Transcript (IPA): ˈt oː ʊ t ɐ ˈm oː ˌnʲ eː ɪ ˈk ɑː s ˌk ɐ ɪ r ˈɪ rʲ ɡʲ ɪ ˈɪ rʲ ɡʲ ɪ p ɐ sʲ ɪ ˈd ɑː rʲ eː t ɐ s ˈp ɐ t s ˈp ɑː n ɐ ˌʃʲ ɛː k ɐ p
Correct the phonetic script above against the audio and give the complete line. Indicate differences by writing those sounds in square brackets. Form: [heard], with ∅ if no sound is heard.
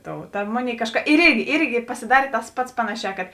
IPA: ˈt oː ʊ t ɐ ˈm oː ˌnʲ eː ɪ ˈk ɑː [ʃ] ˌk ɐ ɪ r ˈɪ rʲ ɡʲ ɪ ˈɪ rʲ ɡʲ ɪ p ɐ sʲ ɪ ˈd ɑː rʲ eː t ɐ s ˈp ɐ t s ˈp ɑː n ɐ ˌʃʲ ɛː k ɐ [t]